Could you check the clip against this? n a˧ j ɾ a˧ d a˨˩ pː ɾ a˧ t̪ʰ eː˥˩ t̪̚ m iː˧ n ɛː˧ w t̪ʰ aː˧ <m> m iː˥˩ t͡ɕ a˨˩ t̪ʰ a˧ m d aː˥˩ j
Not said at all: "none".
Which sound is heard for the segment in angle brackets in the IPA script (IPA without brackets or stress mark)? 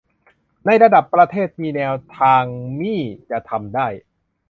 ŋ